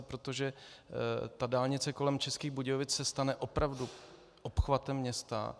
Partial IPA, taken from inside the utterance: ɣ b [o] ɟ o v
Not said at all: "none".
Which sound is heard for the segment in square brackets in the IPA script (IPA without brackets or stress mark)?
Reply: u